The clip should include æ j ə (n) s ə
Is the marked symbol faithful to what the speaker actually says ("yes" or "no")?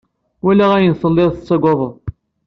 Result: yes